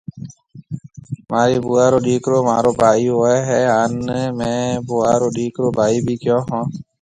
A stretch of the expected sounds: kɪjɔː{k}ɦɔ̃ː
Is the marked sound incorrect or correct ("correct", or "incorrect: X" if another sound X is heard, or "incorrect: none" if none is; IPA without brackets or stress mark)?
incorrect: none